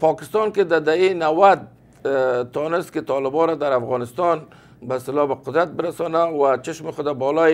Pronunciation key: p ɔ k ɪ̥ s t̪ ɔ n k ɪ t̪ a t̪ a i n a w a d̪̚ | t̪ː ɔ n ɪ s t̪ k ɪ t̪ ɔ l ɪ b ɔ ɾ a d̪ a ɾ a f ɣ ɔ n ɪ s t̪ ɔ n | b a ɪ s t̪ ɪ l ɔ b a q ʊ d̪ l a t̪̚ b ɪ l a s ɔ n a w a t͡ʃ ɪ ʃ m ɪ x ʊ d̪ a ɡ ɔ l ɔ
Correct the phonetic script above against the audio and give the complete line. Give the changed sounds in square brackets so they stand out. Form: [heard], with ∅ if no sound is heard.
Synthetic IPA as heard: p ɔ k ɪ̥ s t̪ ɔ n k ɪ [d̪] a [d̪] a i n a w a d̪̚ | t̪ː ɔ n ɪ s t̪ k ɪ t̪ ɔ l ɪ b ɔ ɾ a d̪ a ɾ a f ɣ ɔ n ɪ s t̪ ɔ n | b a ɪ s t̪ ɪ l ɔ b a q ʊ d̪ [ɾ] a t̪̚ b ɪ [ɾ] a s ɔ n a w a t͡ʃ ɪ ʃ m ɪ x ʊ d̪ a [b] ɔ l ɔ